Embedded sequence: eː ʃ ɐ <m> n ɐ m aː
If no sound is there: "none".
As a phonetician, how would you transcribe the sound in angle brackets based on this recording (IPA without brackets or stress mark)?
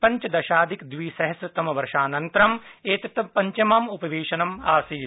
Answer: none